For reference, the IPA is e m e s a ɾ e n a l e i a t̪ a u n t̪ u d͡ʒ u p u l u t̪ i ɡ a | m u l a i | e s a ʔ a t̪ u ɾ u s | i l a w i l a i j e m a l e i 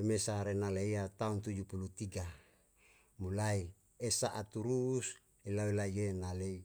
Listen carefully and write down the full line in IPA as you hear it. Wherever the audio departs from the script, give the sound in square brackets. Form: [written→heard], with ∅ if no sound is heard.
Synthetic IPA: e m e s a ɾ e n a l e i a t̪ a u n t̪ u d͡ʒ u p u l u t̪ i ɡ a | m u l a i | e s a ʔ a t̪ u ɾ u s | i l a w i l a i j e [m→n] a l e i

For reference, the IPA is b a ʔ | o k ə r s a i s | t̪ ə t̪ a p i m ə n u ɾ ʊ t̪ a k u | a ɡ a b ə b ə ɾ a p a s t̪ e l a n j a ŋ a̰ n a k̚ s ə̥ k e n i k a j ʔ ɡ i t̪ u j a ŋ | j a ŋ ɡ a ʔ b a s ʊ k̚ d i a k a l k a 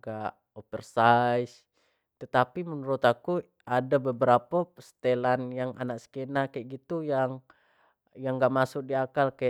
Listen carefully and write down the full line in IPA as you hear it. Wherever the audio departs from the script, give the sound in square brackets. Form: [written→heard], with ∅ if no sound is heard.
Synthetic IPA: [b→ɡ] a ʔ | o [k→p] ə r s a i s | t̪ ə t̪ a p i m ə n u ɾ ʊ t̪ a k u | a [ɡ→d] a b ə b ə ɾ a p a s t̪ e l a n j a ŋ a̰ n a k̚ s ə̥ k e n [i→a] k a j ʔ ɡ i t̪ u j a ŋ | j a ŋ ɡ a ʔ [b→m] a s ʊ k̚ d i a k a l k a

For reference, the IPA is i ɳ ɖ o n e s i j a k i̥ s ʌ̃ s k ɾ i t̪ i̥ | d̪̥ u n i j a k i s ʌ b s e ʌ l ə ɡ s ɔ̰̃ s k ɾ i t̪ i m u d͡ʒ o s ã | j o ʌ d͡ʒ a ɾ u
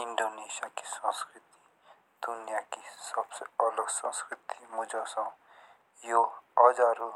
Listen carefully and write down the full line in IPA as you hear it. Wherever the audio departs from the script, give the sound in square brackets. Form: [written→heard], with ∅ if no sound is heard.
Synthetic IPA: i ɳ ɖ o n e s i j a k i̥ s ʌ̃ s k ɾ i t̪ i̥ | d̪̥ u n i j a k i s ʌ b s e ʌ l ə ɡ s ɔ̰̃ s k ɾ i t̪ i m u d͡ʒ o s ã | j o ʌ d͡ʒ a ɾ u

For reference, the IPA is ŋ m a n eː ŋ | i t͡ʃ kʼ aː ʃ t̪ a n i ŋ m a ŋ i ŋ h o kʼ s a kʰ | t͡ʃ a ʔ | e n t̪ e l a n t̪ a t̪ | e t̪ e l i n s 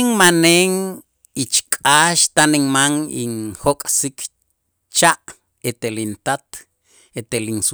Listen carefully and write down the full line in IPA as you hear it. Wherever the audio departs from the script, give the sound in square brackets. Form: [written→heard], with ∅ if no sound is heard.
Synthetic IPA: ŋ m a n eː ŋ | i t͡ʃ kʼ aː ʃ t̪ a n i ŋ m a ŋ i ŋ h o kʼ s [a→i] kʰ | t͡ʃ a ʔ | e [n→∅] t̪ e l [a→i] n t̪ a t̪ | e t̪ e l i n s

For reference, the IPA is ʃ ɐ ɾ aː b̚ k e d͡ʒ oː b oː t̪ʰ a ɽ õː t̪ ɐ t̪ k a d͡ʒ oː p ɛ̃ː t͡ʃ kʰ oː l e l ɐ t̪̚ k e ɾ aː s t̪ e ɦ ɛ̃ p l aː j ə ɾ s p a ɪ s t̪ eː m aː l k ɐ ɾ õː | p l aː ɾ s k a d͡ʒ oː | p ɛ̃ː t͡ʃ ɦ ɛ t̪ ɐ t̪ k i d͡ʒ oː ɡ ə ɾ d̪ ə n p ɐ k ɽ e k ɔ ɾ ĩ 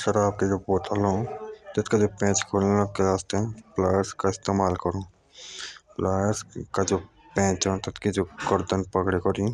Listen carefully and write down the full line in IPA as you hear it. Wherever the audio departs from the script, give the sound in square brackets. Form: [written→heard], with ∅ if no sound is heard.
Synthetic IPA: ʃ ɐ ɾ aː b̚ k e d͡ʒ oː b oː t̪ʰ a [ɽ→l] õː t̪ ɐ t̪ k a d͡ʒ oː p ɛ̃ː t͡ʃ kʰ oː l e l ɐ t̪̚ k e ɾ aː s t̪ e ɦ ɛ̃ p l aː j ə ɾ s [p→k] a ɪ s t̪ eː m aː l k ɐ ɾ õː | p l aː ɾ s k a d͡ʒ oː | p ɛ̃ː t͡ʃ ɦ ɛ t̪ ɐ t̪ k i d͡ʒ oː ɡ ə ɾ d̪ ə n p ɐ k ɽ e k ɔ ɾ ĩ

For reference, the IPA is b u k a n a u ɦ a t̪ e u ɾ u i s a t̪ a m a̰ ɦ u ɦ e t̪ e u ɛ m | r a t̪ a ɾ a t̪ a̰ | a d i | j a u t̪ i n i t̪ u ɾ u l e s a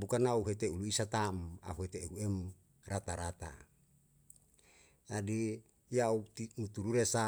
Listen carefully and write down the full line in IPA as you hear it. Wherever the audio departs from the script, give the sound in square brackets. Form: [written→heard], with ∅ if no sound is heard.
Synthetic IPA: b u k a n a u ɦ [a→e] t̪ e u [ɾ→l] u i s a t̪ a m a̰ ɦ u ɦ e t̪ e u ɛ m | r a t̪ a ɾ a t̪ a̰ | a d i | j a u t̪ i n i t̪ u ɾ u [l→ɾ] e s a

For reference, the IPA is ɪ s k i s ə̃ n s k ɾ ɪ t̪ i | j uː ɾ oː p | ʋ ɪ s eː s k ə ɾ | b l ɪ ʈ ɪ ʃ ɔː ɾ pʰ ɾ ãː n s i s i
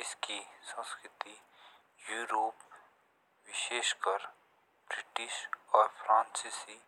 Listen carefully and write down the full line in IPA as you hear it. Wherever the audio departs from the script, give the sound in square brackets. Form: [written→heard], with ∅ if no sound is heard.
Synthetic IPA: ɪ s k i s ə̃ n s k ɾ ɪ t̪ i | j uː ɾ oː p | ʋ ɪ [s→ʃ] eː [s→ʃ] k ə ɾ | b [l→ɾ] ɪ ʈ ɪ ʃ ɔː ɾ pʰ ɾ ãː n s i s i

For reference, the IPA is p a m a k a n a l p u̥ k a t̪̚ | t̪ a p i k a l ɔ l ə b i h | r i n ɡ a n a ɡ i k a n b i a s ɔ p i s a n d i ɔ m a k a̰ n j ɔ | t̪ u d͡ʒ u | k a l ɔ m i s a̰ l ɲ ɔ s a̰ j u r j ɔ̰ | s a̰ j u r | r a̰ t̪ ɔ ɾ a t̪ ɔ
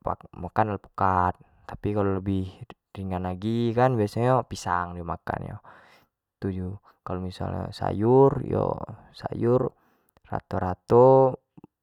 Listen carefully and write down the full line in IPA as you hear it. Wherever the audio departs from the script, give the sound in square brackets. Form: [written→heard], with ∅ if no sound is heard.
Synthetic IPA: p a m a k a n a l p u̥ k a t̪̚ | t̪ a p i k a l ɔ l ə b i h | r i [n→ŋ] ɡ a n a ɡ i k a n b i a s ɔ p i s a [n→ŋ] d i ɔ m a k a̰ n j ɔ | t̪ u d͡ʒ u | k a l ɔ m i s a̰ l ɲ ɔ s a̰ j u r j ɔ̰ | s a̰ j u r | r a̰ t̪ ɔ ɾ a t̪ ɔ

